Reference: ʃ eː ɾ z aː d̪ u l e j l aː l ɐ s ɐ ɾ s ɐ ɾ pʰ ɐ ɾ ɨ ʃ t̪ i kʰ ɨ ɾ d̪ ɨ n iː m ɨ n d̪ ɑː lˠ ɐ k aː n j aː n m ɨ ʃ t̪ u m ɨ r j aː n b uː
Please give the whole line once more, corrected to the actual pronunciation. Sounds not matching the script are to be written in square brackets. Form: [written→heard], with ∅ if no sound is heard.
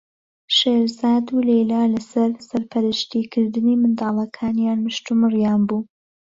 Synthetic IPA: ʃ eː ɾ z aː d̪ u l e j l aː l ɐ s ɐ ɾ s ɐ ɾ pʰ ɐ ɾ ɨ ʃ t̪ i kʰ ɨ ɾ d̪ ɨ n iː m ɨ n d̪ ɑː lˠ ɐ [k→kʰ] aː n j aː n m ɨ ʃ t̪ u m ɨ r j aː n b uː